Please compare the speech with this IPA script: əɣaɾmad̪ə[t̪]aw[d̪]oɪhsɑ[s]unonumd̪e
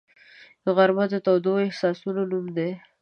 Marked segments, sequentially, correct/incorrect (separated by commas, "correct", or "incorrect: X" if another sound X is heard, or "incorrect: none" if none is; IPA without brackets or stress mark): correct, correct, correct